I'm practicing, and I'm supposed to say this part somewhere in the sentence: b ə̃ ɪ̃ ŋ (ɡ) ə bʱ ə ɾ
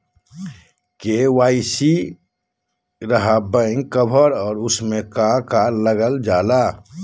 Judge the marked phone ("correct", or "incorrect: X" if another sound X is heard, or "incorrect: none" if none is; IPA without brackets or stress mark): incorrect: k